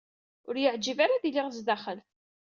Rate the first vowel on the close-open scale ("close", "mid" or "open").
close